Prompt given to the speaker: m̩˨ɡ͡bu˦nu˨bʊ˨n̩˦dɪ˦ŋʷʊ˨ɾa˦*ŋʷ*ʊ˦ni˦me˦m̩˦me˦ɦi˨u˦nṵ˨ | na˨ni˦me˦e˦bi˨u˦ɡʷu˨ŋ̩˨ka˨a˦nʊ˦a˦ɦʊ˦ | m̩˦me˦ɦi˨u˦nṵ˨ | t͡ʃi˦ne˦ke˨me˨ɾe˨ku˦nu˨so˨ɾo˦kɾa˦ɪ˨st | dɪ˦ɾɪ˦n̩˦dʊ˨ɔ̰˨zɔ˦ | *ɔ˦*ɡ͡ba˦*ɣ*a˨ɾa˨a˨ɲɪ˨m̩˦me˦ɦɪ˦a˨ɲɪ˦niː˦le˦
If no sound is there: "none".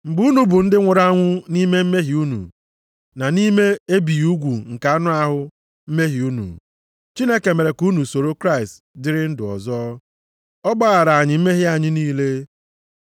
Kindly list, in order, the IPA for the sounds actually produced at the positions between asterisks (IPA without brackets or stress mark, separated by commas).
ŋʷ, ɔ˦, ɣ